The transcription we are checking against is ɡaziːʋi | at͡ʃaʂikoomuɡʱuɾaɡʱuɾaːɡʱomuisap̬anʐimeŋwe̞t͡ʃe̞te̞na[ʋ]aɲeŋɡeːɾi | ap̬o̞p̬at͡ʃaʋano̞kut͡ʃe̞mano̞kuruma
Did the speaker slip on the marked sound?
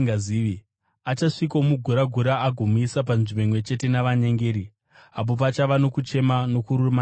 no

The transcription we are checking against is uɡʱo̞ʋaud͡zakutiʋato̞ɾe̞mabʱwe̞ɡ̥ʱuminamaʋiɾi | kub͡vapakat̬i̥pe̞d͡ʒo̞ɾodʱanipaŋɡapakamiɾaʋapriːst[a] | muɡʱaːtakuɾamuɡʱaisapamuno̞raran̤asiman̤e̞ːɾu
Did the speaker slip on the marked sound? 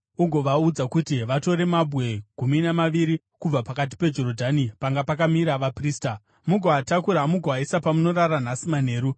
no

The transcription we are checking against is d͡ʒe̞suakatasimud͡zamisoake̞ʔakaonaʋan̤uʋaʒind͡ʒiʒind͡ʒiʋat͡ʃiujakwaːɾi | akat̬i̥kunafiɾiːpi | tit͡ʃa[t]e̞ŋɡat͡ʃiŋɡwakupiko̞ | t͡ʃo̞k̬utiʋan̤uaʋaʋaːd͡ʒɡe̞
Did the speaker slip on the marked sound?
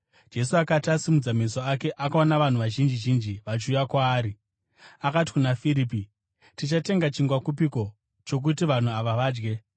no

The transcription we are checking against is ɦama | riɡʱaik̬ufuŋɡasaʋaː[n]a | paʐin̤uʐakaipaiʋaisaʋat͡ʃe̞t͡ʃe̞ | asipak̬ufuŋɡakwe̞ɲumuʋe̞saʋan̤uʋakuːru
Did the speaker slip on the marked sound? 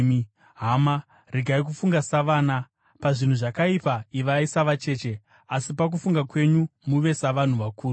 no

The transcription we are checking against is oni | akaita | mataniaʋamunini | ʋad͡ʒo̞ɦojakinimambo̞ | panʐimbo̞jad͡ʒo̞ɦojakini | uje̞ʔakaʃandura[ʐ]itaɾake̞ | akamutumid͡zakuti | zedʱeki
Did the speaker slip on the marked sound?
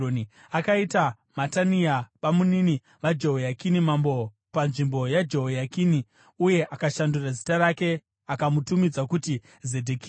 yes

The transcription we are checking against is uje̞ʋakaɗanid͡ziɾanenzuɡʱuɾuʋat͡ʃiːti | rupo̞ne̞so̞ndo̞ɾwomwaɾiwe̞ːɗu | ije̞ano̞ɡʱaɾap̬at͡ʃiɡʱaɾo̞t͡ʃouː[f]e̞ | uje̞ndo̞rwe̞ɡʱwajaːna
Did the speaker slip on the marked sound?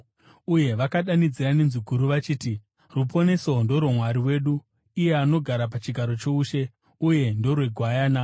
yes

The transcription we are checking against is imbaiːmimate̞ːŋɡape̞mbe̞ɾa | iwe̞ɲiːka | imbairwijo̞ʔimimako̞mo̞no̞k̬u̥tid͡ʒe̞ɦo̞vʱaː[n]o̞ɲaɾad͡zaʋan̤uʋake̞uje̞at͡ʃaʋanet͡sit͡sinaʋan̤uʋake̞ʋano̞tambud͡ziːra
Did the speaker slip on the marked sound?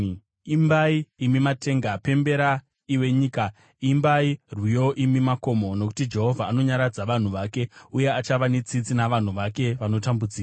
no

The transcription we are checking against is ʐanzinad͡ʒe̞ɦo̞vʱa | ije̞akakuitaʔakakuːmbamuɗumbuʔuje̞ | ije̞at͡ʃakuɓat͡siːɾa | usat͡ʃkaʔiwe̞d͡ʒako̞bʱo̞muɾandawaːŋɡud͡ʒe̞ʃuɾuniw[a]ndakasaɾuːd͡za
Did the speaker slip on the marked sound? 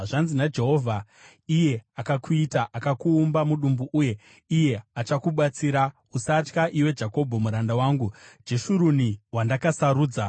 no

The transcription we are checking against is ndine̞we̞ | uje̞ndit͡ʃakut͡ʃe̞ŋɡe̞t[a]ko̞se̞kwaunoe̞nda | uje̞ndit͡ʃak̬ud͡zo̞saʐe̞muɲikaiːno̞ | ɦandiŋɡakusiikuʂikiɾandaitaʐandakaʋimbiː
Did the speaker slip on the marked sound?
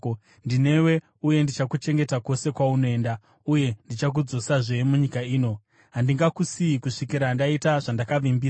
no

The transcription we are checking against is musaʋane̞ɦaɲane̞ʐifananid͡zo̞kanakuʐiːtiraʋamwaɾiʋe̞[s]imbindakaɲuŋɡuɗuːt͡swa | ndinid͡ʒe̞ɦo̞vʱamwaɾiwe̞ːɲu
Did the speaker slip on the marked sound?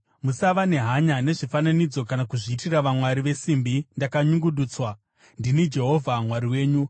no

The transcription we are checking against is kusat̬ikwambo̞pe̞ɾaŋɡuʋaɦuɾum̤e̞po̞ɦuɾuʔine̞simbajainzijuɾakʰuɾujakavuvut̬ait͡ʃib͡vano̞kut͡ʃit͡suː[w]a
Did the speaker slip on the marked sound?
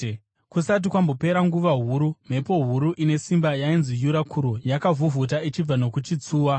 no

